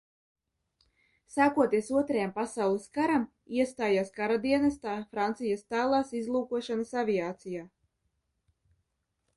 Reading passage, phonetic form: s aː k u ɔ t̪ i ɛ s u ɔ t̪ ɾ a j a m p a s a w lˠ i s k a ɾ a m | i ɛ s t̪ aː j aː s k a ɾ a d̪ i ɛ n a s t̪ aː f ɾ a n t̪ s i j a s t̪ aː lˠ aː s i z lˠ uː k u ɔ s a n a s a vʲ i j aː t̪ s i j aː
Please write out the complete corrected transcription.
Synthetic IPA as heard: s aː k u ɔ t̪ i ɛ s u ɔ t̪ ɾ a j a m p a s a w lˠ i s k a ɾ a m | i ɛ s t̪ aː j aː s k a ɾ a d̪ i ɛ n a s t̪ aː f ɾ a n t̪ s i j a s t̪ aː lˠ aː s i z lˠ uː k u ɔ ʃ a n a s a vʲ i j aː t̪ s i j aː